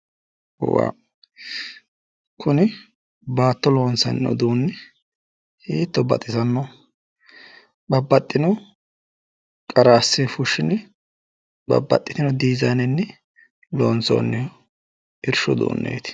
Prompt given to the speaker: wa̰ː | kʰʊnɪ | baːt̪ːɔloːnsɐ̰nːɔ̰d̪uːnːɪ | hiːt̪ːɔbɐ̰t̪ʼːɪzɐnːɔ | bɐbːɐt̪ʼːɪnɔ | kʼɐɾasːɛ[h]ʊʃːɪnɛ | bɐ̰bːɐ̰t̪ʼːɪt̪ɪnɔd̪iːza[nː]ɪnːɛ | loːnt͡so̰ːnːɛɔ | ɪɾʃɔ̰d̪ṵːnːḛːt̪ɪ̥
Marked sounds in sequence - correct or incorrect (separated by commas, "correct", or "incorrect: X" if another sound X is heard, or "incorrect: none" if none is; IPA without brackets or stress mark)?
incorrect: f, incorrect: n